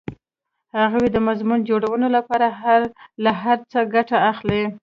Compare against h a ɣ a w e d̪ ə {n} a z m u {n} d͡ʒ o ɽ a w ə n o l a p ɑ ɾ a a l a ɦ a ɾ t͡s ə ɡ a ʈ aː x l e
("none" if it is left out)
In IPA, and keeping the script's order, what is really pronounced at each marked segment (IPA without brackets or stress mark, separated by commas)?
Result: m, n